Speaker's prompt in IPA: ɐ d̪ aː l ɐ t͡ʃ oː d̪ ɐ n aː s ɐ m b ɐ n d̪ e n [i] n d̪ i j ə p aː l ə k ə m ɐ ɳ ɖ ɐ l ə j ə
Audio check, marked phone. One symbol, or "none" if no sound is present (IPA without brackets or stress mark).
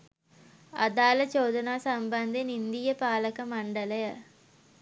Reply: i